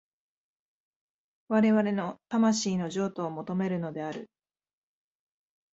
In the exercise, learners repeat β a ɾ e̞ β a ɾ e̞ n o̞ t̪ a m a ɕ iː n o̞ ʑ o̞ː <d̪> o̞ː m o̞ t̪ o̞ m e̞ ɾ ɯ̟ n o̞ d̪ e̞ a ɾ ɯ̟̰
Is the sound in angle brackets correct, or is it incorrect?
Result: incorrect